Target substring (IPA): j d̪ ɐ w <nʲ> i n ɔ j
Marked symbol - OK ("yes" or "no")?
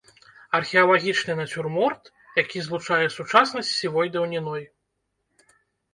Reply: yes